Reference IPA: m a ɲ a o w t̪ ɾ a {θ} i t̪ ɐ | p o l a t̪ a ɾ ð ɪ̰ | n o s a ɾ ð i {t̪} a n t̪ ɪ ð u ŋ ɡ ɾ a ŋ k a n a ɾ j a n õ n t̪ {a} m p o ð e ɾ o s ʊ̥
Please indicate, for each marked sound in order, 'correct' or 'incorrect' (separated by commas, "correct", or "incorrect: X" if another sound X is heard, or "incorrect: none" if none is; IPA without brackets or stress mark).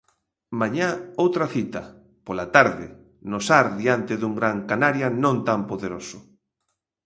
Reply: correct, incorrect: none, correct